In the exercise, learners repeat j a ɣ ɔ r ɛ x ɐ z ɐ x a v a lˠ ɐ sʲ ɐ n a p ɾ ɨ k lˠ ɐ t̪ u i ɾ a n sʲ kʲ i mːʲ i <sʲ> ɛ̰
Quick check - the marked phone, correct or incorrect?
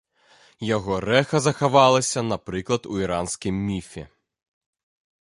incorrect: fʲ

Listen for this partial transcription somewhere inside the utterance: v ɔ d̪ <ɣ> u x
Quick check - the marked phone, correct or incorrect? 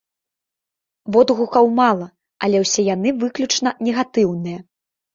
correct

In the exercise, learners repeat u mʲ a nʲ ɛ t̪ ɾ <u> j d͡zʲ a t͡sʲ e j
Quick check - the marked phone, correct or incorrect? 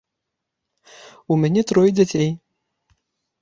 incorrect: ɔ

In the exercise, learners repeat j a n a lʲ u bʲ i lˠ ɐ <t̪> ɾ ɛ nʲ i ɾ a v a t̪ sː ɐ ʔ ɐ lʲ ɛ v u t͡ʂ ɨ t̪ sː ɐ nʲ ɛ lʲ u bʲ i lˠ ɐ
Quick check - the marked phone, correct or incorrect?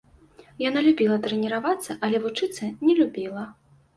correct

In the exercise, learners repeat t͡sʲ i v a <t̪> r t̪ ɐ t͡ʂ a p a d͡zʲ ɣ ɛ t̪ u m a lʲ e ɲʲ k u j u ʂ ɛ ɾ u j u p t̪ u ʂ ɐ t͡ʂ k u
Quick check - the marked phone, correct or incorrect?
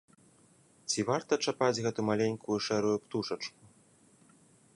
incorrect: none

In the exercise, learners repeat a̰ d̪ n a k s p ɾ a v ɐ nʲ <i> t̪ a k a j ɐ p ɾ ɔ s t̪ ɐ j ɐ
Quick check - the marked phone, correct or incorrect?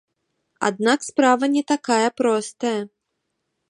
incorrect: ɛ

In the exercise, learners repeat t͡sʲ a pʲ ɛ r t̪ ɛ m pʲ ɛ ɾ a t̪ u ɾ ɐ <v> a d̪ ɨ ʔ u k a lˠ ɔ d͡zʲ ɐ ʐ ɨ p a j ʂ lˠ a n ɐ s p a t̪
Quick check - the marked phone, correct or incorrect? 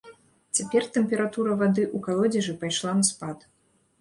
correct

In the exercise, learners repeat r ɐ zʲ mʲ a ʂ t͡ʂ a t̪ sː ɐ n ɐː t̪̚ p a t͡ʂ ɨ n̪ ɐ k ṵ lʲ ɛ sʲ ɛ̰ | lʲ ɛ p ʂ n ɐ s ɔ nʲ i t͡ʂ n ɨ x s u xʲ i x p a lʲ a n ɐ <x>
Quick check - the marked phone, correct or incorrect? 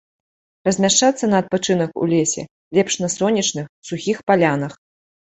correct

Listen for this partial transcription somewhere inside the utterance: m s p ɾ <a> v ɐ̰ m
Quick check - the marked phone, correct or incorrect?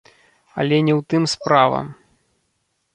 correct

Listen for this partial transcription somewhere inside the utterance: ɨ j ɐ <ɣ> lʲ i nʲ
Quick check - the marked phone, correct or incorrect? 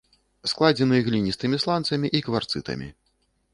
correct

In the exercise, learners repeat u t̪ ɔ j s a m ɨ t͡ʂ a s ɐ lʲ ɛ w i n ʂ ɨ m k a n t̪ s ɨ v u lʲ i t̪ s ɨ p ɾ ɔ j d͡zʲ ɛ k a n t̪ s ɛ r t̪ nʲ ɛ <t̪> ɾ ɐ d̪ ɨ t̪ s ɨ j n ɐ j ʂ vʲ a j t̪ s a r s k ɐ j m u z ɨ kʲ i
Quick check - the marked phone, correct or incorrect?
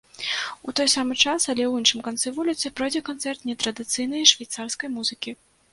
correct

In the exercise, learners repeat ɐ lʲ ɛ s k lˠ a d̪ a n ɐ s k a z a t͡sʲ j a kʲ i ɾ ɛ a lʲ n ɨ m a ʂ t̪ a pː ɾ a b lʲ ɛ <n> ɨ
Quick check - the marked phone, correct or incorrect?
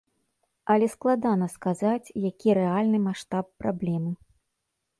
incorrect: m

